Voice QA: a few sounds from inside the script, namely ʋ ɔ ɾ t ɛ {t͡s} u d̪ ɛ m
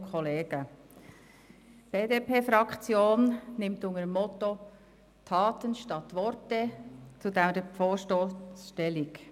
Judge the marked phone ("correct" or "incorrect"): correct